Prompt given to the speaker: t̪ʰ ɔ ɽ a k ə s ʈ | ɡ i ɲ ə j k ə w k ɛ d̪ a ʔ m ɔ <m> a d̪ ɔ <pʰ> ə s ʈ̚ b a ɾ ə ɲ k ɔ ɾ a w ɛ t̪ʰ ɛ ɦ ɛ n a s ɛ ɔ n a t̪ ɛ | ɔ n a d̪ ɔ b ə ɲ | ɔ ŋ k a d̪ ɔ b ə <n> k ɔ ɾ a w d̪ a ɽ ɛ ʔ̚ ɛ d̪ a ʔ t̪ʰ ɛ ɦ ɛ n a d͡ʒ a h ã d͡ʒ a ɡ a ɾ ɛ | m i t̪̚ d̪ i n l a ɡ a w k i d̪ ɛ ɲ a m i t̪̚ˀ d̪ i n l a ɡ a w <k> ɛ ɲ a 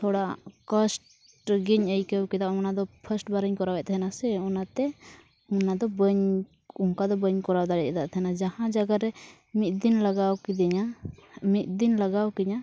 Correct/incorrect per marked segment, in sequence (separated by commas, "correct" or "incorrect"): incorrect, correct, incorrect, correct